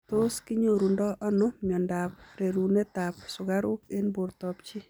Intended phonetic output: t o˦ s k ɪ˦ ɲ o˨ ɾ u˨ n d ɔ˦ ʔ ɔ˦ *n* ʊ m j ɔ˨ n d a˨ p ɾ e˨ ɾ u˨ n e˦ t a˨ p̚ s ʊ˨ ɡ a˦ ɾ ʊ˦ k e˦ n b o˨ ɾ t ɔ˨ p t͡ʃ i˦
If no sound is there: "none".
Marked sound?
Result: n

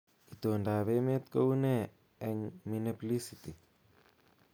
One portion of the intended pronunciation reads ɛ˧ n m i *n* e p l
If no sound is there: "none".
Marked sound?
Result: n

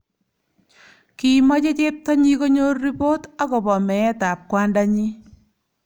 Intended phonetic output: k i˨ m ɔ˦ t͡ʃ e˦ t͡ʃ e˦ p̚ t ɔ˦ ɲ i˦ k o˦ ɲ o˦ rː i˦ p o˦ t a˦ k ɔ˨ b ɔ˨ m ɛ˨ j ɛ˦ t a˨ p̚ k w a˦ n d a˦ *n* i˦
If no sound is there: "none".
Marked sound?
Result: ɲ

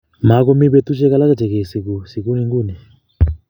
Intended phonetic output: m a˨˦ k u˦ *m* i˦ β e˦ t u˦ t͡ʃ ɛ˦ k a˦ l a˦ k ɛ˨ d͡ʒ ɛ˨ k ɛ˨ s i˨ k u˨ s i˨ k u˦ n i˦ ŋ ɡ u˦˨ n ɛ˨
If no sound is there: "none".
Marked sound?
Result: m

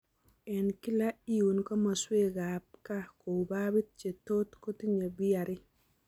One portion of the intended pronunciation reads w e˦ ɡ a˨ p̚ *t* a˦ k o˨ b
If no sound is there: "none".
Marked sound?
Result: k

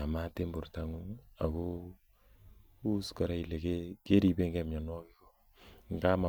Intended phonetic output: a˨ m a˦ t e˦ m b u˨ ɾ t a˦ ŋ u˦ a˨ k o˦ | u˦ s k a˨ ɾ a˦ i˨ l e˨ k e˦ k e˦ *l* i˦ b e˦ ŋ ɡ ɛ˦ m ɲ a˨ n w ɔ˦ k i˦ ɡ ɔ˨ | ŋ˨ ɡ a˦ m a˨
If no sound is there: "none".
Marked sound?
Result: ɾ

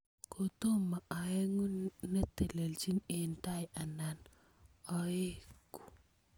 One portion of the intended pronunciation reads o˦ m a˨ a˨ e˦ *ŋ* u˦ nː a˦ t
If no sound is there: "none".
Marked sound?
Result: ŋ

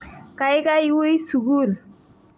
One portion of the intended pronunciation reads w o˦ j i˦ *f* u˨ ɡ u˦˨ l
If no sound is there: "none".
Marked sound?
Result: s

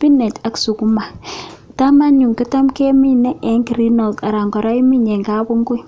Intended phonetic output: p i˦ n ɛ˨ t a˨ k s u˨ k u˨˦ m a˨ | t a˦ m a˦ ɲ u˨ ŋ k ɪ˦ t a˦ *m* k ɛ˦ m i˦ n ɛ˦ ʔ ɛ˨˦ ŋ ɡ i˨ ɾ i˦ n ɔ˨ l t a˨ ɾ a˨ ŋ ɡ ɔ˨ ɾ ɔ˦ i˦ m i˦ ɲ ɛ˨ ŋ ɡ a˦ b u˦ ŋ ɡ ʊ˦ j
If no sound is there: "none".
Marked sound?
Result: m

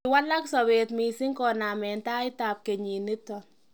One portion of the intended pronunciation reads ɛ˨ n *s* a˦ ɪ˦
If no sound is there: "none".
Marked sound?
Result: t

